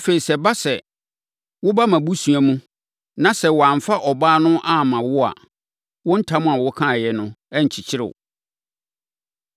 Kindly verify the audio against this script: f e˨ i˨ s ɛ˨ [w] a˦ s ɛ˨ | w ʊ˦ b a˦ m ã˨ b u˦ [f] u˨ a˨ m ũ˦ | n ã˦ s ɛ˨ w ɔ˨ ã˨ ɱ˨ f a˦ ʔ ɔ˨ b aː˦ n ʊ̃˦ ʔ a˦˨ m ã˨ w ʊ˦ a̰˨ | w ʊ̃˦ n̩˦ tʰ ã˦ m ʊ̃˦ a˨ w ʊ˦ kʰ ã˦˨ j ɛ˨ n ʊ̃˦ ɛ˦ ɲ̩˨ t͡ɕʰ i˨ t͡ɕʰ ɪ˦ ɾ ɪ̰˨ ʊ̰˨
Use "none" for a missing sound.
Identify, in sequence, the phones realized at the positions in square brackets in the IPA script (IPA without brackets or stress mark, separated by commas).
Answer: b, s